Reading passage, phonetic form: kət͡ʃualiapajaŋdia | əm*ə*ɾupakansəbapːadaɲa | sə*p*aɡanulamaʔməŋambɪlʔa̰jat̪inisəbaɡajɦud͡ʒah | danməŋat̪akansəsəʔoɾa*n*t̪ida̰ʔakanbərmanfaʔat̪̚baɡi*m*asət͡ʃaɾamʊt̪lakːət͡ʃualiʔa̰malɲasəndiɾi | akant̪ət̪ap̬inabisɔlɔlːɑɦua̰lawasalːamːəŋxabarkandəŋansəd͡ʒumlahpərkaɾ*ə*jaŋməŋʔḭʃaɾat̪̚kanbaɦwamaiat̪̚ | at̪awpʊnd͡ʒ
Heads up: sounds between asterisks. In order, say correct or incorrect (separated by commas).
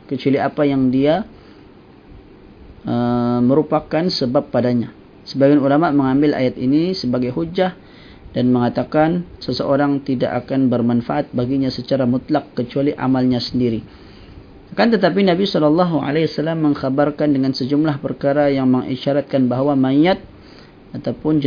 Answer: correct, incorrect, incorrect, incorrect, incorrect